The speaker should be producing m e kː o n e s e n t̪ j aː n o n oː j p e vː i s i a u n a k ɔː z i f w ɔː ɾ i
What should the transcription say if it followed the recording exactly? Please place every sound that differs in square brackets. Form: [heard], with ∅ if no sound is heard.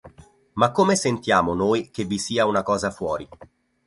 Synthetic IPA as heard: m [a] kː o [m] e s e n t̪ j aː [m] o n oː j [k] e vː i s [iː] a u n a k ɔː z [a] f w ɔː ɾ i

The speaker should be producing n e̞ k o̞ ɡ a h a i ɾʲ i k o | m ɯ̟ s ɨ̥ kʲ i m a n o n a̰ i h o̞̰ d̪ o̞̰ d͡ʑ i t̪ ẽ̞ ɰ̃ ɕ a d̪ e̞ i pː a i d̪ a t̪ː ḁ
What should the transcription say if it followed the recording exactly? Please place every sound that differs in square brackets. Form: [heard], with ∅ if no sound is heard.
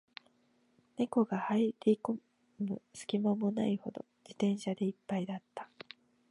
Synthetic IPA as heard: n e̞ k o̞ ɡ a h a i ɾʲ i k o | m ɯ̟ s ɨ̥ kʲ i m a [m] o n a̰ i h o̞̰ d̪ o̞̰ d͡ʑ i t̪ ẽ̞ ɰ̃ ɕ a d̪ e̞ i pː a i d̪ a t̪ː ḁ

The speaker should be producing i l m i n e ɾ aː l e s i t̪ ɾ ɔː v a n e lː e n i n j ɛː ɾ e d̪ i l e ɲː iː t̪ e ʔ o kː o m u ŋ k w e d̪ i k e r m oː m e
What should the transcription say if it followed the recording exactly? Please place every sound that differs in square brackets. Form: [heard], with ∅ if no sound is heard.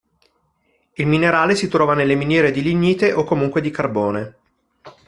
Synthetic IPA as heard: i l m i n e ɾ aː l e s i t̪ ɾ ɔː v a n e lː e [m] i n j ɛː ɾ e d̪ i l [i] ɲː iː t̪ e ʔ o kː o m u ŋ k w e d̪ i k [a] r [b] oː [n] e

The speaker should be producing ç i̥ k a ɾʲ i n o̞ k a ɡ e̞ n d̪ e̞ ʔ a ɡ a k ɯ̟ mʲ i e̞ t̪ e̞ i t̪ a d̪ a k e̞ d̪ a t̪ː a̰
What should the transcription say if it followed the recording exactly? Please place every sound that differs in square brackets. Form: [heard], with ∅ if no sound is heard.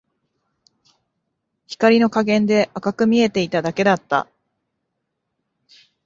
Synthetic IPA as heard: ç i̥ k a ɾʲ i n o̞ k a ɡ [ẽ̞] n d̪ e̞ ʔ a [k] a k ɯ̟ mʲ i e̞ t̪ e̞ i t̪ a d̪ a k e̞ d̪ a t̪ː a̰

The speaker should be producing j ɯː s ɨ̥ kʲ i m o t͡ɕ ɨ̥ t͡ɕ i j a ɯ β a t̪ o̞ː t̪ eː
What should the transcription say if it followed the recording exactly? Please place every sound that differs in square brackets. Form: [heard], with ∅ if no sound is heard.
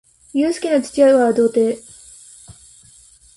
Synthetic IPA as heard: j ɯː s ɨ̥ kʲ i [n] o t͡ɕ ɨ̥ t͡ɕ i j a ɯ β a [d̪] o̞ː t̪ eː

